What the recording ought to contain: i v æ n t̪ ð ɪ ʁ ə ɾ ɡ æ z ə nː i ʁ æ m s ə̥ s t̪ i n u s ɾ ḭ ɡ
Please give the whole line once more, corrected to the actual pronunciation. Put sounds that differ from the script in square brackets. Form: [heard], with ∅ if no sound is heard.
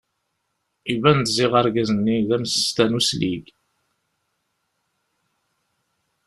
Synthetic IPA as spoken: i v æ n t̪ [z] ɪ ʁ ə ɾ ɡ æ z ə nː i [ð] æ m s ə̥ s t̪ [æ] n u s [l] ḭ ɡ